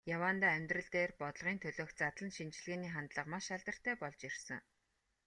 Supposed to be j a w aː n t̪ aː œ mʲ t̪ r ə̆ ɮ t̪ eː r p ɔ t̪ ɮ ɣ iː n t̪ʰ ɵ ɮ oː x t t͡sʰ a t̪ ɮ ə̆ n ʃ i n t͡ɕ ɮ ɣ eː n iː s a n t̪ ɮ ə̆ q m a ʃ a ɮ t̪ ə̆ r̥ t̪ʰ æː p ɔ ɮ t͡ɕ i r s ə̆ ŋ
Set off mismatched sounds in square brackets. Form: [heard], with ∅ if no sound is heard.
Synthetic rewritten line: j a w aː n t̪ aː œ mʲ t̪ r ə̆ ɮ t̪ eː r p ɔ t̪ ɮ [ʁ] iː n t̪ʰ ɵ ɮ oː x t [t͡s] a t̪ ɮ ə̆ n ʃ i n t͡ɕ ɮ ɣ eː n iː [χ] a n t̪ ɮ ə̆ q m a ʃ a ɮ t̪ ə̆ r̥ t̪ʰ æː p ɔ ɮ t͡ɕ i r s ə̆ ŋ